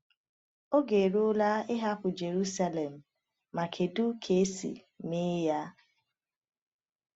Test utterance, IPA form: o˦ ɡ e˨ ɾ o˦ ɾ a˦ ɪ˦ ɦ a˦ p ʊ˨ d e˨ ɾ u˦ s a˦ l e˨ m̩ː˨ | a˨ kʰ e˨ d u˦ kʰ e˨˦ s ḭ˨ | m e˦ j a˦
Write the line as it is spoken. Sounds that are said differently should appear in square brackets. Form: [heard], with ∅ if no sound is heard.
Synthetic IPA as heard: o˦ ɡ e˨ ɾ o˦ [l] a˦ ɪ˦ ɦ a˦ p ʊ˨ [d͡ʒ] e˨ ɾ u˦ s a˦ l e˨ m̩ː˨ | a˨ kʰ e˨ d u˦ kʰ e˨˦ s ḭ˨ | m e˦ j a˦

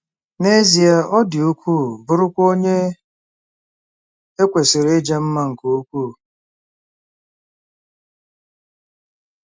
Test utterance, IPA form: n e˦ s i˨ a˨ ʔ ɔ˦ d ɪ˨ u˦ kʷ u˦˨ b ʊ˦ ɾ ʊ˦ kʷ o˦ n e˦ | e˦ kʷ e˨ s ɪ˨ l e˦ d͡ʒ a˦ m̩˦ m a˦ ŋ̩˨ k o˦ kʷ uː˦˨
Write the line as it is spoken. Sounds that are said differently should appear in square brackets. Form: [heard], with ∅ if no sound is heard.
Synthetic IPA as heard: n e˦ [z] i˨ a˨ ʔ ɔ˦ d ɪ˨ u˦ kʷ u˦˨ b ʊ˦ ɾ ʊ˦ kʷ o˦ [ɲ] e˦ | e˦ kʷ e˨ s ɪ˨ [ɾ] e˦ d͡ʒ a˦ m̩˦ m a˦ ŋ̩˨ k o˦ kʷ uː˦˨

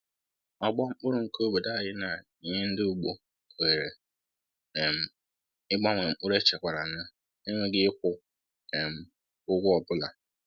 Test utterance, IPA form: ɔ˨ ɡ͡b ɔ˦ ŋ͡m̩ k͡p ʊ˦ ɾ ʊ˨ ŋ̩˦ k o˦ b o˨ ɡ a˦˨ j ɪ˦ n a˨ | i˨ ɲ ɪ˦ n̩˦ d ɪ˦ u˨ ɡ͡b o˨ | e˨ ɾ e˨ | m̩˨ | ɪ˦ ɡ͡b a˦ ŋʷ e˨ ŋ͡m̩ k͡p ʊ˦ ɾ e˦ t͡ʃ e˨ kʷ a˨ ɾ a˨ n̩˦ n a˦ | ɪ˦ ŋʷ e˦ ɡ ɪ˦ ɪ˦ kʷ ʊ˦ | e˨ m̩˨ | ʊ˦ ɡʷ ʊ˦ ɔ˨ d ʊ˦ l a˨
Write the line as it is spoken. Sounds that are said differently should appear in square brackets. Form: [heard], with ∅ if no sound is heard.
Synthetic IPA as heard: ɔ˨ ɡ͡b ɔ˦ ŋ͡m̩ k͡p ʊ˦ ɾ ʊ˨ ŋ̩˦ k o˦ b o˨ [d] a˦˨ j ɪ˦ n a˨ | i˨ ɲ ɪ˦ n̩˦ d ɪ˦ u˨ ɡ͡b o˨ | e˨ ɾ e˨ | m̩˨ | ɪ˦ ɡ͡b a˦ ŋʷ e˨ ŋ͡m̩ k͡p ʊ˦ ɾ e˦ t͡ʃ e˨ kʷ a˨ ɾ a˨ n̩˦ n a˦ | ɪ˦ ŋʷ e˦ ɡ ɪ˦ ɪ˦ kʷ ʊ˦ | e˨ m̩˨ | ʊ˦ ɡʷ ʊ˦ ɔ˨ [b] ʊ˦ l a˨

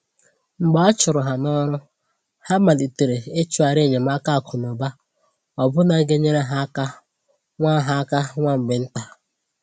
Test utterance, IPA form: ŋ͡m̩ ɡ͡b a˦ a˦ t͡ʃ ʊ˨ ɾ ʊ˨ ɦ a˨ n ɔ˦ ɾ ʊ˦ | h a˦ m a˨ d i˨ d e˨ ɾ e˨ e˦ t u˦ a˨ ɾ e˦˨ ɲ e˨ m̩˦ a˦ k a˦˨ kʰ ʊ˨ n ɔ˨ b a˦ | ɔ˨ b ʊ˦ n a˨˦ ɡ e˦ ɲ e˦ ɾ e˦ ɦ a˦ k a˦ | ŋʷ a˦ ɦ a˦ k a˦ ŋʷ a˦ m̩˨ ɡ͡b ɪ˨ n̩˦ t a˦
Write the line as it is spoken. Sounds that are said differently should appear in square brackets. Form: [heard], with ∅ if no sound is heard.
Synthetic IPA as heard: ŋ͡m̩ ɡ͡b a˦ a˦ t͡ʃ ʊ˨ ɾ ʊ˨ ɦ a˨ n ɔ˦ ɾ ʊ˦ | h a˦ m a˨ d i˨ [t] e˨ ɾ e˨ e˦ [t͡ʃ] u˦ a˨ ɾ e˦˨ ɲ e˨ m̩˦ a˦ k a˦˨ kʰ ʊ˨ n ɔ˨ b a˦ | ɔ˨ b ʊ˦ n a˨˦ ɡ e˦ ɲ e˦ ɾ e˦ ɦ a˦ k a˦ | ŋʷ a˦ ɦ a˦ k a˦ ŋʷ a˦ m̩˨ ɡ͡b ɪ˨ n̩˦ t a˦

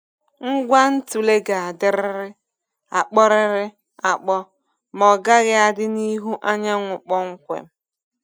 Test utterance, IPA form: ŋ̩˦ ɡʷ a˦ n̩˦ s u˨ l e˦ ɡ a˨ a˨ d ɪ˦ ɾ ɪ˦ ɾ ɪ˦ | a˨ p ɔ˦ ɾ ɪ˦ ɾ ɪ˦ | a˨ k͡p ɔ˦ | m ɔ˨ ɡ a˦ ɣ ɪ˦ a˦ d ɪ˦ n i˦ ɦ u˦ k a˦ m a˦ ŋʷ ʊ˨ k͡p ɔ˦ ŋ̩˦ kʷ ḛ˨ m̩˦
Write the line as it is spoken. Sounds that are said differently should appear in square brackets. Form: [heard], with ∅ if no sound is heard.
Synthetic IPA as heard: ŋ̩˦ ɡʷ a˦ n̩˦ [t] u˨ l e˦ ɡ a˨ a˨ d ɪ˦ ɾ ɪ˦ ɾ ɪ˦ | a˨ [k͡p] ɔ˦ ɾ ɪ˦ ɾ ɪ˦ | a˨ k͡p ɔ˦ | m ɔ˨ ɡ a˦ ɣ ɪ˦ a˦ d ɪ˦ n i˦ ɦ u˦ [ʔ] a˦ [ɲ] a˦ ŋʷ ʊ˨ k͡p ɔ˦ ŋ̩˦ kʷ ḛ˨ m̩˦

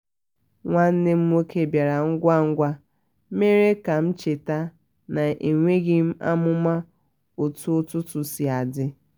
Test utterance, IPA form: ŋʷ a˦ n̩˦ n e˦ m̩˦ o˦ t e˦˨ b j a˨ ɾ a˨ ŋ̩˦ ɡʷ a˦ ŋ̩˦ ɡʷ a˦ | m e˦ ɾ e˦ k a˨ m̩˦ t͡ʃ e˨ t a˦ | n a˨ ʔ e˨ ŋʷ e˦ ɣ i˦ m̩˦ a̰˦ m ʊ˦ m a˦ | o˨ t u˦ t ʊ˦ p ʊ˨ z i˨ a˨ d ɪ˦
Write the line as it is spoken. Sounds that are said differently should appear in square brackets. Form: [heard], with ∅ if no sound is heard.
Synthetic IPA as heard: ŋʷ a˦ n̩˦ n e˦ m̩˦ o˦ [k] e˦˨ b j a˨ ɾ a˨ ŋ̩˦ ɡʷ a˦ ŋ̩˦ ɡʷ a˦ | m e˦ ɾ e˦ k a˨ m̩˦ t͡ʃ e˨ t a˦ | n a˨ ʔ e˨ ŋʷ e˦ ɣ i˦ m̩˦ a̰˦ m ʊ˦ m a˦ | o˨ t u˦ t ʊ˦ [t] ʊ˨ [s] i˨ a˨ d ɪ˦

